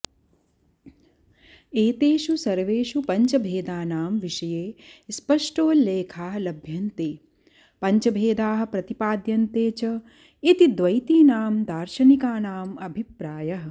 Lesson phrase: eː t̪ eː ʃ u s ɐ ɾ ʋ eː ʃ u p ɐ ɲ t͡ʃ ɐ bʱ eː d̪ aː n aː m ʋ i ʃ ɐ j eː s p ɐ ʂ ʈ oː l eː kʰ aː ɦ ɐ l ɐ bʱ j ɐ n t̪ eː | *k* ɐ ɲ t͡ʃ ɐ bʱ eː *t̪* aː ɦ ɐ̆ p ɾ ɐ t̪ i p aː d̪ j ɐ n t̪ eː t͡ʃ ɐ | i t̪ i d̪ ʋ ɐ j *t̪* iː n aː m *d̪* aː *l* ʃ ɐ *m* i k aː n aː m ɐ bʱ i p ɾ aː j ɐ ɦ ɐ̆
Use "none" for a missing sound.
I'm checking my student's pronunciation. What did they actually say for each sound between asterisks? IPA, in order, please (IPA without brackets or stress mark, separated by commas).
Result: p, d̪, t̪, d̪, ɾ, n